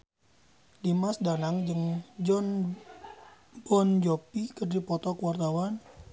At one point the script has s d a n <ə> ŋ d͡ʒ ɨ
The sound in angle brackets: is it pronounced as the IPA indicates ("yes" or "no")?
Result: no